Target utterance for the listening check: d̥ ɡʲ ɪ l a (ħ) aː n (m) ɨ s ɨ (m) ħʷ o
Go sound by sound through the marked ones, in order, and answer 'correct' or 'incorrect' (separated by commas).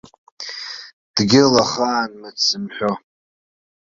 incorrect, correct, correct